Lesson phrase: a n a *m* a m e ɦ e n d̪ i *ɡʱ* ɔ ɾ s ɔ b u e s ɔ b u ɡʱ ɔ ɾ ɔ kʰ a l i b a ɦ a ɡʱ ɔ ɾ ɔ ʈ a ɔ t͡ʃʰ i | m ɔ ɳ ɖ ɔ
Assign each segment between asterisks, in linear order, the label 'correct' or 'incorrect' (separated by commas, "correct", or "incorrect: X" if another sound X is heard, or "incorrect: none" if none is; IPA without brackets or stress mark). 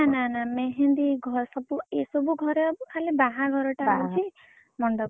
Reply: incorrect: n, correct